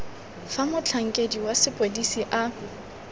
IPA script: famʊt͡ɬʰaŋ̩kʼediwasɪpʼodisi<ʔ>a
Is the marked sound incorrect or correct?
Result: correct